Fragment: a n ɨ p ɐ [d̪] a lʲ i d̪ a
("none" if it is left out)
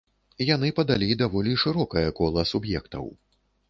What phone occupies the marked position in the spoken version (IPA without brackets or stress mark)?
d̪